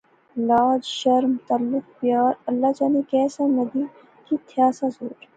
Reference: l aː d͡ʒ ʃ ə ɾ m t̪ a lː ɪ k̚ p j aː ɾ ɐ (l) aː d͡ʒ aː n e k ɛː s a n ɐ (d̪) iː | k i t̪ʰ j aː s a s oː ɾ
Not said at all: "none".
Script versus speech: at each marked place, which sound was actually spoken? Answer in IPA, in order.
lː, d̪

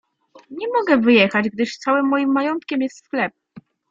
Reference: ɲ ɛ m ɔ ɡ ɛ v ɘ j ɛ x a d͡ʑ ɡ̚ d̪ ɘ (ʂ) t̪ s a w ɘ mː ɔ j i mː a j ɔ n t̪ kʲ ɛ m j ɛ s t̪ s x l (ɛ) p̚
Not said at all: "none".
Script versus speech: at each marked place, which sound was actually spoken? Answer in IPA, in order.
ʂ, ɛ

